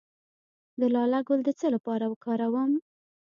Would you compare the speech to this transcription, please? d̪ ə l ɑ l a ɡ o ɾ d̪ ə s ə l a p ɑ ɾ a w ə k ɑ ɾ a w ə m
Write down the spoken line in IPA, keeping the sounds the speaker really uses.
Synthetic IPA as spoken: d̪ ə l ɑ l a ɡ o l d̪ ə t͡s ə l a p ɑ ɾ a w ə k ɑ ɾ a w ə m